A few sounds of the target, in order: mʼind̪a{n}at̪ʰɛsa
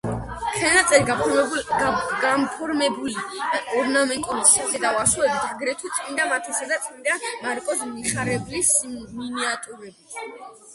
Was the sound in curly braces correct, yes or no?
no